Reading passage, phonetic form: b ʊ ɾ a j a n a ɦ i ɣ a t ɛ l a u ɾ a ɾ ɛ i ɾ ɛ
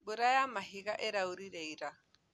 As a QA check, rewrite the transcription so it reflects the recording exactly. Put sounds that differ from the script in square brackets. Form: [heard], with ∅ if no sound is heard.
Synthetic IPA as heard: b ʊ ɾ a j a [m] a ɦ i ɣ a [ʔ] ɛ [ɾ] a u ɾ [i] ɾ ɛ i ɾ [a]